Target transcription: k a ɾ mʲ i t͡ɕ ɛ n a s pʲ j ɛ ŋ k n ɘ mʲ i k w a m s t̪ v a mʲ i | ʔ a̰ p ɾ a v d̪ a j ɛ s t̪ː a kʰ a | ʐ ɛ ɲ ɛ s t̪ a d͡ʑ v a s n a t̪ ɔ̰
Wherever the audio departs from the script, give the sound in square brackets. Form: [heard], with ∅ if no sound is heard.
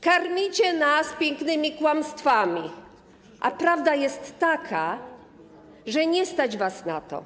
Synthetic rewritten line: k a ɾ mʲ i t͡ɕ ɛ n a s pʲ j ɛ ŋ k n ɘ mʲ i k w a m s t̪ [f] a mʲ i | ʔ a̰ p ɾ a v d̪ a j ɛ s t̪ː a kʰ a | ʐ ɛ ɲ ɛ s t̪ a d͡ʑ v a s n a t̪ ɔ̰